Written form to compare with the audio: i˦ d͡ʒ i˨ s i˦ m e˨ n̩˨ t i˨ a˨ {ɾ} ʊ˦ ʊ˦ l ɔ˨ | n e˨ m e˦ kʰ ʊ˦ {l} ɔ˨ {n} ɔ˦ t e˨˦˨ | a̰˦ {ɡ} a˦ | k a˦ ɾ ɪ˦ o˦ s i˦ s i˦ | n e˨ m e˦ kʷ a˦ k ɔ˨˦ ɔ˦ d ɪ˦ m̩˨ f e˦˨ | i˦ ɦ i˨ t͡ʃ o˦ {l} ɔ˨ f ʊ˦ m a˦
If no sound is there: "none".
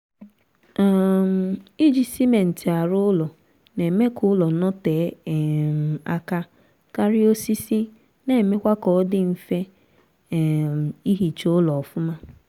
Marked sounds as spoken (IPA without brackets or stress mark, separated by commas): ɾ, l, n, k, l